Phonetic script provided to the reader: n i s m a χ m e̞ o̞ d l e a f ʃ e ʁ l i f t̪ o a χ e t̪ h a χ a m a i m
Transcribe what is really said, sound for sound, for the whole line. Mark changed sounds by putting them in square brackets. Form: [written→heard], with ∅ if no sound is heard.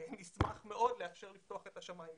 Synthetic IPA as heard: n i s m a χ m e̞ o̞ d l e a f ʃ e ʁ l i f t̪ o a χ e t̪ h a [χ→ʃ] a m a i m